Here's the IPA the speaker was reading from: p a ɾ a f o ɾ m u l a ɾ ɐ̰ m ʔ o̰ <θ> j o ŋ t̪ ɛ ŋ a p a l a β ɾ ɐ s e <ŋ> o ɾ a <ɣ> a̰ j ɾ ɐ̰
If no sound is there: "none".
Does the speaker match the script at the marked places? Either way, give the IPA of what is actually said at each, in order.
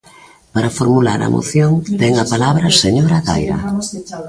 θ, ɲ, ɣ

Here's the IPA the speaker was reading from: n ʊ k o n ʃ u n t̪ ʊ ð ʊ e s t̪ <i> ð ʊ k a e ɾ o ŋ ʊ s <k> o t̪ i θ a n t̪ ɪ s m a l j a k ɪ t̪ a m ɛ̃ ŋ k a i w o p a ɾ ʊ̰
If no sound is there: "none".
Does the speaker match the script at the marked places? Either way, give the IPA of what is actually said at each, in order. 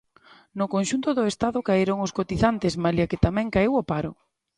a, k

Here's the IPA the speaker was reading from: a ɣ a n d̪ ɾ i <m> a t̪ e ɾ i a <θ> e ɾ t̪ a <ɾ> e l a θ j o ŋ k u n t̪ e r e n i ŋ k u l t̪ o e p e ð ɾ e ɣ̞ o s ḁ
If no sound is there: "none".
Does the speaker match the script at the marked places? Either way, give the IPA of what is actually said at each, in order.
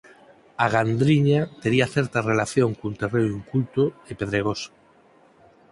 ɲ, θ, r

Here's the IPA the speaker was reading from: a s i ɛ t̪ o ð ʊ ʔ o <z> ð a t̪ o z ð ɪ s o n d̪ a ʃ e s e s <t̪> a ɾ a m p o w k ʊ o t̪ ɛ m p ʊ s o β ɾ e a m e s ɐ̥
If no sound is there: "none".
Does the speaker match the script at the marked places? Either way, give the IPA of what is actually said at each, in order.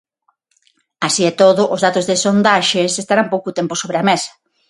z, t̪

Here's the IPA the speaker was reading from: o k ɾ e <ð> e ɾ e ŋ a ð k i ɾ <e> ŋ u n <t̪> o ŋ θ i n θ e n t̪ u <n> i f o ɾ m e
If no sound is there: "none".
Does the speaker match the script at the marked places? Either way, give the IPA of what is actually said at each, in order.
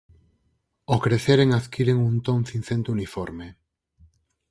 θ, e, t̪, n

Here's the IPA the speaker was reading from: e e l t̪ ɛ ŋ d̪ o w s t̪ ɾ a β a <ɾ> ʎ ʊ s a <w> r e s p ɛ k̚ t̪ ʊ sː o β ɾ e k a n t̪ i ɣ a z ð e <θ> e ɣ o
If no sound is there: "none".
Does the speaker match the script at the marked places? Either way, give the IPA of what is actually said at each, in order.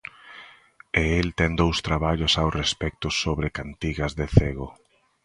none, w, θ

